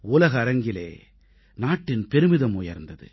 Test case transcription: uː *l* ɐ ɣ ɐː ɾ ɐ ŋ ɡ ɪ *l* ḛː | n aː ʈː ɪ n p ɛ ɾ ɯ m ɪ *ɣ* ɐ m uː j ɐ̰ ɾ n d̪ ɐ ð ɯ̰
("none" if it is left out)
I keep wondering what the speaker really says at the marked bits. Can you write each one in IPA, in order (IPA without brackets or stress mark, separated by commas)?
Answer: l, l, ð